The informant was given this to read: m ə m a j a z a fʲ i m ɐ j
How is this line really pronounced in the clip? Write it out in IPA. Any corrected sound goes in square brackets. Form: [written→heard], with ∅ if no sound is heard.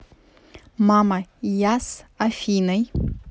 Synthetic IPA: m [ə→a] m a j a [z→s] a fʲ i [m→n] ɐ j